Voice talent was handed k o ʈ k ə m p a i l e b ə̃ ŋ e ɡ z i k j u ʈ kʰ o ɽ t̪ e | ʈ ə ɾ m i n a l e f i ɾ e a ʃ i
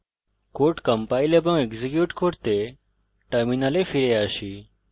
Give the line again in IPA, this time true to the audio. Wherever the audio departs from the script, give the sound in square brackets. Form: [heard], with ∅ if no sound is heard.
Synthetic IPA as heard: k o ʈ k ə m p a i l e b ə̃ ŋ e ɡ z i k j u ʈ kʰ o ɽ t̪ e | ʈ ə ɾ m i n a l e f i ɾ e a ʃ i